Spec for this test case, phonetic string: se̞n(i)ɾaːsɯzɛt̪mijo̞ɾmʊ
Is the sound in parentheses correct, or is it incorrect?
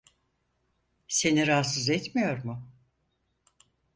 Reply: correct